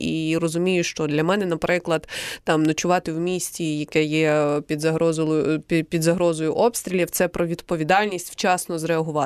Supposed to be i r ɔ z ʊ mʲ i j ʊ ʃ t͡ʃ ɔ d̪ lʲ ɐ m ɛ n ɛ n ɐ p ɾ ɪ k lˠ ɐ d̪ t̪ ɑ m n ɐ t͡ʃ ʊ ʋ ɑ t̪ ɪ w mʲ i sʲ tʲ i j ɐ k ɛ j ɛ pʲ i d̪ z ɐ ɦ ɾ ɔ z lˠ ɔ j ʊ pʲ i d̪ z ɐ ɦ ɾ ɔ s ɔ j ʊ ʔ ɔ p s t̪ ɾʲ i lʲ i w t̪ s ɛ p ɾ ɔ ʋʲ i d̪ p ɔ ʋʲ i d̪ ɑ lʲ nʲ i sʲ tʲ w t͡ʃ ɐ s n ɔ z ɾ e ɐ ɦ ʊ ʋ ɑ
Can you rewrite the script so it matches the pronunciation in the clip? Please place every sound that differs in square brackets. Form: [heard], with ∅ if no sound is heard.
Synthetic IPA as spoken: i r ɔ z ʊ mʲ i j ʊ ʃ t͡ʃ ɔ d̪ lʲ ɐ m ɛ n ɛ n ɐ p ɾ ɪ k lˠ ɐ d̪ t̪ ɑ m n ɐ t͡ʃ ʊ ʋ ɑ t̪ ɪ w mʲ i sʲ tʲ i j ɐ k ɛ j ɛ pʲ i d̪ z ɐ ɦ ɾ ɔ z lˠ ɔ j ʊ pʲ i d̪ z ɐ ɦ ɾ ɔ [z] ɔ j ʊ ʔ ɔ p s t̪ ɾʲ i lʲ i w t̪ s ɛ p ɾ ɔ ʋʲ i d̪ p ɔ ʋʲ i d̪ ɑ lʲ nʲ i sʲ tʲ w t͡ʃ [ɑ] s n ɔ z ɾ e ɐ ɦ ʊ ʋ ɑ